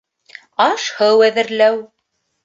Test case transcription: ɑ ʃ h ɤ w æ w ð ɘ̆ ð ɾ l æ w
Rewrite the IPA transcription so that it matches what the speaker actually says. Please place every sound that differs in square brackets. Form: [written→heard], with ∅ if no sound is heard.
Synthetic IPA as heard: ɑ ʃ h ɤ w æ [w→∅] ð ɘ̆ [ð→∅] ɾ l æ w